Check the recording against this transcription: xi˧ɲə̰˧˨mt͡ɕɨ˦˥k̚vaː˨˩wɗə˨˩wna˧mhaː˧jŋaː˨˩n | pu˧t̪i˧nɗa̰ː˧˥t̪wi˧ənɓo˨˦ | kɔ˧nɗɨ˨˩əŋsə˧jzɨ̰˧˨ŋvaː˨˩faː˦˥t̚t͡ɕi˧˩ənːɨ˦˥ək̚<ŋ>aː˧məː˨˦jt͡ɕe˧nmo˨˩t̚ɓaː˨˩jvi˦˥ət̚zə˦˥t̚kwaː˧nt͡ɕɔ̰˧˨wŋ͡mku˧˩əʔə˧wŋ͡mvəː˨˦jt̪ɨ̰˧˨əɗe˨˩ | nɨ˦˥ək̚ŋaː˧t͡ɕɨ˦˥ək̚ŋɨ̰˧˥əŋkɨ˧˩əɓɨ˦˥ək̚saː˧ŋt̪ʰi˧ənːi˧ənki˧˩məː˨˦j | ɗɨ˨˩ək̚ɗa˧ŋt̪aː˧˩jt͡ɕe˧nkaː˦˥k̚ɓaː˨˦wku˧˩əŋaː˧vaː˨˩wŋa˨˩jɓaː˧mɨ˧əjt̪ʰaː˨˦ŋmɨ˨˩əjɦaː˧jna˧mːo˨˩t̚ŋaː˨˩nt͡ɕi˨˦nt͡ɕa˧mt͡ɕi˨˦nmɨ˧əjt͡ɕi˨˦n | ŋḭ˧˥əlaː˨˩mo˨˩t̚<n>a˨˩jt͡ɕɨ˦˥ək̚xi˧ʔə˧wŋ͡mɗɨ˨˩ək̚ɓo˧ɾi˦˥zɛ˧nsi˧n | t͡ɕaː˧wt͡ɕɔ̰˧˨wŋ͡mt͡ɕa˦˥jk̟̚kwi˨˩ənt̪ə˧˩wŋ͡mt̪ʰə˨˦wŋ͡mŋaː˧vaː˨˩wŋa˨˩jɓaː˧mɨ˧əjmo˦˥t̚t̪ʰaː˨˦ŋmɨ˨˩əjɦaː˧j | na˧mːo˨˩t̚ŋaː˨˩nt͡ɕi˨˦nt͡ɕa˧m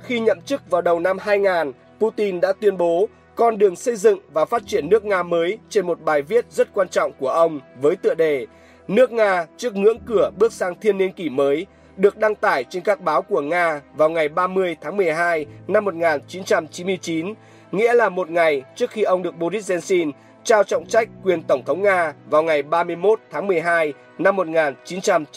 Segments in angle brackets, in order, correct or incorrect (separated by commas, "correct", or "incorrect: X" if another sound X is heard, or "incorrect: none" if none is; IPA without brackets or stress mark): correct, incorrect: ŋ